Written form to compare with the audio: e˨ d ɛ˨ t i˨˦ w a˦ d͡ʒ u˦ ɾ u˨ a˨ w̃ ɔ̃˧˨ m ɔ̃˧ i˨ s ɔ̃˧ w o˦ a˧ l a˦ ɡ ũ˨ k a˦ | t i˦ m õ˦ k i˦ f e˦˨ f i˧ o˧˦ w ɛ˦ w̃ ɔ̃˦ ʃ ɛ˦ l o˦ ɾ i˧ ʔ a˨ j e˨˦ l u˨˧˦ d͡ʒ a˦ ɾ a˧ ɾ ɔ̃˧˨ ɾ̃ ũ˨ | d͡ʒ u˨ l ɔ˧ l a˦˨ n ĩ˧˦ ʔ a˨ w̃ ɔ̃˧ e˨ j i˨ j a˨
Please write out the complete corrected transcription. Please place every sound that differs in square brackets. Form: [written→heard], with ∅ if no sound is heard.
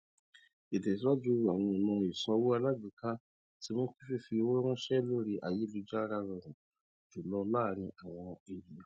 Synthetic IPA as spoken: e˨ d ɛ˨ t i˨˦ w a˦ d͡ʒ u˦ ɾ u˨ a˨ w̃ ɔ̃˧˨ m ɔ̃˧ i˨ s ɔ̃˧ w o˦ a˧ l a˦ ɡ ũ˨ k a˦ | t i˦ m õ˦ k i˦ f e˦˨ f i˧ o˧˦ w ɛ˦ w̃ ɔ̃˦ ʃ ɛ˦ l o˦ ɾ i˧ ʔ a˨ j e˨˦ l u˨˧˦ d͡ʒ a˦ ɾ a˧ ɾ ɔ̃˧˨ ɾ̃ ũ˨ | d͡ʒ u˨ l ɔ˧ l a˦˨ n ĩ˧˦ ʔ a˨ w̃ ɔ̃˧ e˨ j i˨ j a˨